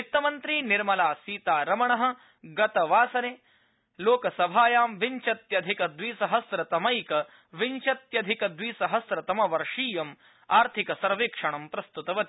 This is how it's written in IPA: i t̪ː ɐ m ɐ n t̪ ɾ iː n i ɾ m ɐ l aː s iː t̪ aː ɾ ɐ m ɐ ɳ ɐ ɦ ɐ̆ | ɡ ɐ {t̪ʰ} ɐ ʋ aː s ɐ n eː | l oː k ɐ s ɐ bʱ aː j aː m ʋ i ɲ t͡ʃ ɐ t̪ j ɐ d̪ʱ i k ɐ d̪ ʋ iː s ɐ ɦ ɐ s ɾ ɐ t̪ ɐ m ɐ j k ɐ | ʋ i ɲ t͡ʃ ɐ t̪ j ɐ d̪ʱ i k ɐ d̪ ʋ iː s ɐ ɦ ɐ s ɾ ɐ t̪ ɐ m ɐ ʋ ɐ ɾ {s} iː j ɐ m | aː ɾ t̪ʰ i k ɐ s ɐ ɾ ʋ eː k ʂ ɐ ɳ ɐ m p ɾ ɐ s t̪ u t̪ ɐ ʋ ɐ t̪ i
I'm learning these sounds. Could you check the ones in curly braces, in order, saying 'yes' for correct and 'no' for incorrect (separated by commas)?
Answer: no, no